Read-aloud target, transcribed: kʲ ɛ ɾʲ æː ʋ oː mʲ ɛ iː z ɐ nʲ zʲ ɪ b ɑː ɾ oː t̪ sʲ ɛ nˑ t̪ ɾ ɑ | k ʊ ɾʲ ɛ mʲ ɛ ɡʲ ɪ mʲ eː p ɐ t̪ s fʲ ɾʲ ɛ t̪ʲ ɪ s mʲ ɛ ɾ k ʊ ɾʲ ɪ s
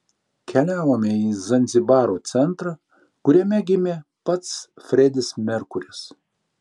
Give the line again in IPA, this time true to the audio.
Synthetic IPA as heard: kʲ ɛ lʲ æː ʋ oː mʲ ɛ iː z ɐ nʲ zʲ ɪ b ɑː ɾ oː t̪ sʲ ɛ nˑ t̪ ɾ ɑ | k ʊ ɾʲ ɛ mʲ ɛ ɡʲ ɪ mʲ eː p ɐ t̪ s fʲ ɾʲ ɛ d̪ʲ ɪ s mʲ ɛ ɾ k ʊ ɾʲ ɪ s

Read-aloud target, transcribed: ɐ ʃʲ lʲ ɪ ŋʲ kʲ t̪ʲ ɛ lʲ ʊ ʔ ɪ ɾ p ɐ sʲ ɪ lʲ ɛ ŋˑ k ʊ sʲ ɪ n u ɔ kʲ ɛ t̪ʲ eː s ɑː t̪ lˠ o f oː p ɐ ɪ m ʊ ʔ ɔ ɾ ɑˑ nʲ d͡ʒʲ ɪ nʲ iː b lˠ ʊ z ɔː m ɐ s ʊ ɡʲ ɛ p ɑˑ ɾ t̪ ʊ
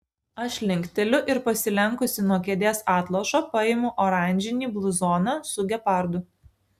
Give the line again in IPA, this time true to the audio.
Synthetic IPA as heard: ɐ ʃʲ lʲ ɪ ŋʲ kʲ t̪ʲ ɛ lʲ ʊ ʔ ɪ ɾ p ɐ sʲ ɪ lʲ ɛ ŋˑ k ʊ sʲ ɪ n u ɔ kʲ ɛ d̪ʲ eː s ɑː t̪ lˠ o ʃ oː p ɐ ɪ m ʊ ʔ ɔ ɾ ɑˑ nʲ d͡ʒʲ ɪ nʲ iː b lˠ ʊ z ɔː n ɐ s ʊ ɡʲ ɛ p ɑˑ ɾ d̪ ʊ

